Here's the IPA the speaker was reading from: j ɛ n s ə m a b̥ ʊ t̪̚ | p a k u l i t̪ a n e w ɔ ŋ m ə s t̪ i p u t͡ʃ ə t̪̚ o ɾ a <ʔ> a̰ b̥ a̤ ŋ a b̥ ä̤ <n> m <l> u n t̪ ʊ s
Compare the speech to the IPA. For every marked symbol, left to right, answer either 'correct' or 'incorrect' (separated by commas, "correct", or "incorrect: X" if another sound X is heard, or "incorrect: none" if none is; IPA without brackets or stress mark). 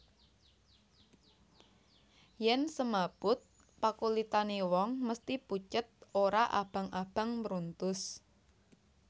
correct, incorrect: ŋ, incorrect: ɾ